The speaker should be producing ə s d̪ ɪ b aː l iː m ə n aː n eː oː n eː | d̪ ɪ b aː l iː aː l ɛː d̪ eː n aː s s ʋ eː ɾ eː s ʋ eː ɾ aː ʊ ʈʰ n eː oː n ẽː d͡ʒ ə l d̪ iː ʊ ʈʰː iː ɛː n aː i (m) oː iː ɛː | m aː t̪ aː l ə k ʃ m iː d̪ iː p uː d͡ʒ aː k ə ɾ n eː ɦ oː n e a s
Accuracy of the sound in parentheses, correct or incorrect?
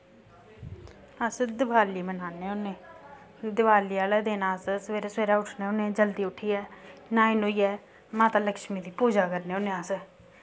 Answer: incorrect